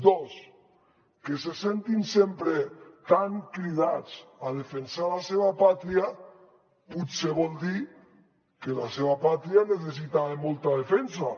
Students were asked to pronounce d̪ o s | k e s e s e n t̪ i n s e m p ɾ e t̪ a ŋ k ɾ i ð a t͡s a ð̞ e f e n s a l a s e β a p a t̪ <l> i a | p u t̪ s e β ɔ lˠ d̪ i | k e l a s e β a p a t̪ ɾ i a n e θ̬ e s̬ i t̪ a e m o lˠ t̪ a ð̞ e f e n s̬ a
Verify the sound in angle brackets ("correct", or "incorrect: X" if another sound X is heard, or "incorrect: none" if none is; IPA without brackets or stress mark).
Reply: incorrect: ɾ